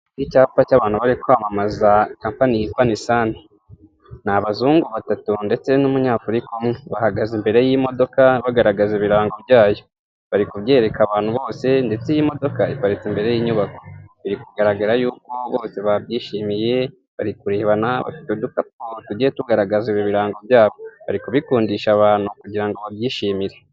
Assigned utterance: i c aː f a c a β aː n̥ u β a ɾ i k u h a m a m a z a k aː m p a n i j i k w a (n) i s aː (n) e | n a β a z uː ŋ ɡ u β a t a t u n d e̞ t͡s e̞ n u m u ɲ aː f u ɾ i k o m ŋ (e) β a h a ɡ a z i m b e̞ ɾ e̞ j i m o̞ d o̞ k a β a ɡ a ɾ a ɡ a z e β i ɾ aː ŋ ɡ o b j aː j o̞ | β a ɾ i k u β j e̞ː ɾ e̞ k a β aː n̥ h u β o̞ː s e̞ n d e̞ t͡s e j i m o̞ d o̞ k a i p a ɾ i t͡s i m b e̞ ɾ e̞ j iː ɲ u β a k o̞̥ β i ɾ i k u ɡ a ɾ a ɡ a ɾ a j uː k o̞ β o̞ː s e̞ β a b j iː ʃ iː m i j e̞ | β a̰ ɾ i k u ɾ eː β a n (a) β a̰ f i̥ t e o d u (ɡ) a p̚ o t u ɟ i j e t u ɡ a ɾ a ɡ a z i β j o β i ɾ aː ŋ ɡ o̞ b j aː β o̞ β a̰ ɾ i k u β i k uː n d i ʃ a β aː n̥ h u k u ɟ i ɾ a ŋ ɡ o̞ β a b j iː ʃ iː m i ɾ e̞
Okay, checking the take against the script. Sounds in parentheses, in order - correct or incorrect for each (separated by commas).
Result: correct, correct, correct, correct, incorrect